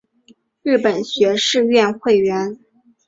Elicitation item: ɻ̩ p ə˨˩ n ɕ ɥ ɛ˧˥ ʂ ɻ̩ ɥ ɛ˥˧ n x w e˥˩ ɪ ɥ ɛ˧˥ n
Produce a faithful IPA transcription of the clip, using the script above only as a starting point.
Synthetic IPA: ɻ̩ p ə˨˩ n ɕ ɥ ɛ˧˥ ʂ ɻ̩ ɥ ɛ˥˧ n x w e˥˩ ɪ ɥ ɛ˧˥ n